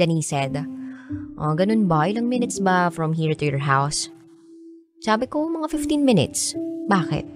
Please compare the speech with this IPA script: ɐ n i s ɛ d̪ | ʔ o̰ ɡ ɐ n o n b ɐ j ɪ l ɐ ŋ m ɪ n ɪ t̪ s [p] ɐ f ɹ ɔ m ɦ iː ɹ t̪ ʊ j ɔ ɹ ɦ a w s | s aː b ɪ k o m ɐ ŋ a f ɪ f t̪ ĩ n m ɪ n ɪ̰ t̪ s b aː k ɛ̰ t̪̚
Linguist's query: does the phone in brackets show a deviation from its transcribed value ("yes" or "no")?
yes